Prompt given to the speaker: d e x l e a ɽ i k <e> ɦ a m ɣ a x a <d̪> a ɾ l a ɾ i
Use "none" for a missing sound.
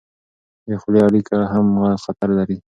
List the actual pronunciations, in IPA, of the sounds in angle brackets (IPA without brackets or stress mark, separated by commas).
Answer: a, t̪